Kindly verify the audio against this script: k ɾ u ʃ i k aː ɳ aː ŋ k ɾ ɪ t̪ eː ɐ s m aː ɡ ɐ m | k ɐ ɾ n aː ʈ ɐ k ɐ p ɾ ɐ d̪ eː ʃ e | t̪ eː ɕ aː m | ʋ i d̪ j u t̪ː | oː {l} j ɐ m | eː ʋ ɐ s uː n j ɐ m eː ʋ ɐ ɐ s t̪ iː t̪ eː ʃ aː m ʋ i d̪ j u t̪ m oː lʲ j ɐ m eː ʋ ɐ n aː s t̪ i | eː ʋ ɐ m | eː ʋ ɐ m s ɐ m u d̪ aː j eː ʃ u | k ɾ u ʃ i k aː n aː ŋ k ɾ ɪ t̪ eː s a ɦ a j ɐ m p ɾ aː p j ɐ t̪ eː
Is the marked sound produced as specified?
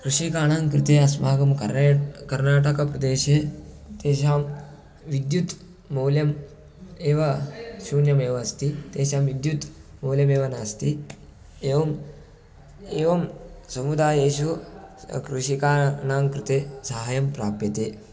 yes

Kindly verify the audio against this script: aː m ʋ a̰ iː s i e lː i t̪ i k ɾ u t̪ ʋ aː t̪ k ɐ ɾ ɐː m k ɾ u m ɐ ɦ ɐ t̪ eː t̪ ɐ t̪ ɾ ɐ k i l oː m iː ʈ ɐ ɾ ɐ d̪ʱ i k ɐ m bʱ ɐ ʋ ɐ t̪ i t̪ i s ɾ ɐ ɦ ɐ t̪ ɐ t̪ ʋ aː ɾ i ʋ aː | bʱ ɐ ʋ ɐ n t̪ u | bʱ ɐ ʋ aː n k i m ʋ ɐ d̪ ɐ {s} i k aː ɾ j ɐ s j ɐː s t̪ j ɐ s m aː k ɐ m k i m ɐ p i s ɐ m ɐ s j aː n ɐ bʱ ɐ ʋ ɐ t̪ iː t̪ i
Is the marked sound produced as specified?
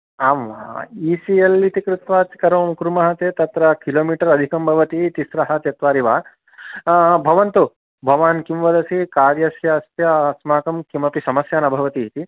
yes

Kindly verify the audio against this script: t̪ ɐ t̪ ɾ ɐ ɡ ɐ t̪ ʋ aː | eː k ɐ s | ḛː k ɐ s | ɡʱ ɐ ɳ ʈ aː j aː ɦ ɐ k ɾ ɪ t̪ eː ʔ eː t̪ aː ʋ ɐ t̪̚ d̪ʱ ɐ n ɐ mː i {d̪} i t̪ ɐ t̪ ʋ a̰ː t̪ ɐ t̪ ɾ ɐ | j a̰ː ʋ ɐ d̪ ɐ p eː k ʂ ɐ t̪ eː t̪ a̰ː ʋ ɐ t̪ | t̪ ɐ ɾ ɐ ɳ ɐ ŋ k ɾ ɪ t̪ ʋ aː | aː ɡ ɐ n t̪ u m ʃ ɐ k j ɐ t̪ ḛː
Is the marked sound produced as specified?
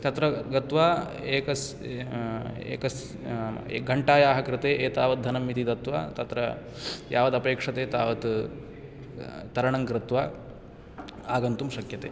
no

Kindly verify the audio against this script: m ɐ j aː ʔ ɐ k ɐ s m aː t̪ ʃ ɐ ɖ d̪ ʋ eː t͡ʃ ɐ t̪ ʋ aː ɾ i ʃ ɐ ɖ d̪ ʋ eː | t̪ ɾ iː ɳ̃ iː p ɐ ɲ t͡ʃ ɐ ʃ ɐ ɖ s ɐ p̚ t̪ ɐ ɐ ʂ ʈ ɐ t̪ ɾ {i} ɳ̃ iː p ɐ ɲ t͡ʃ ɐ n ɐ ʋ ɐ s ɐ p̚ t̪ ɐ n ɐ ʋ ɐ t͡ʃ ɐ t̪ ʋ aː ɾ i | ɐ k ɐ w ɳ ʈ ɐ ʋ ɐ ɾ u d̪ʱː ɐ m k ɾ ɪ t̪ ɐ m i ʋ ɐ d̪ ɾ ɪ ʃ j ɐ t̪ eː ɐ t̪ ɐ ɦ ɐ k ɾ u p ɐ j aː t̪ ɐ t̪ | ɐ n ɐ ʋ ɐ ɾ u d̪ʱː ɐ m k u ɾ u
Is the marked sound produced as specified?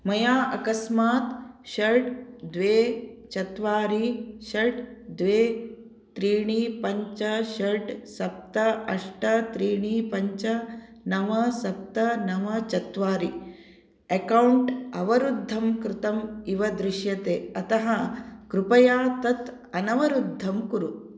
no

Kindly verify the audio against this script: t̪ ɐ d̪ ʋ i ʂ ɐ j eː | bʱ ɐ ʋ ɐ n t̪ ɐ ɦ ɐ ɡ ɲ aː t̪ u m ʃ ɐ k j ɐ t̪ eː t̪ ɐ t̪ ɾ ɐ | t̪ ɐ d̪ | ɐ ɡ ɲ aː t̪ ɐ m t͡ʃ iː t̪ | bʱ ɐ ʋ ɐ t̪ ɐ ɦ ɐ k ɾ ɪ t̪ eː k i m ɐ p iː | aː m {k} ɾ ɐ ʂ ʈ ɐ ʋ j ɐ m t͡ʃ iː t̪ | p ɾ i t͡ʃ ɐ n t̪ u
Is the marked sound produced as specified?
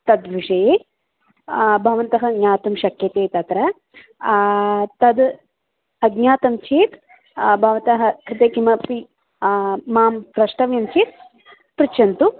no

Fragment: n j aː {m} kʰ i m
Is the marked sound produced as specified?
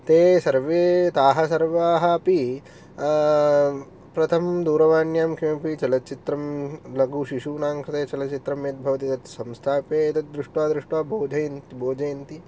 yes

